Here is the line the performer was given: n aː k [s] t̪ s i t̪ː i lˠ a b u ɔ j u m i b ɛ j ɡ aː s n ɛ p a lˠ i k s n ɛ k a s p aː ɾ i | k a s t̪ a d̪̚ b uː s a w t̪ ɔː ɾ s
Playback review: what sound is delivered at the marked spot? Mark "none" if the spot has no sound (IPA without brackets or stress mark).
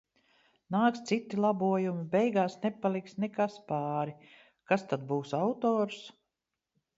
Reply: s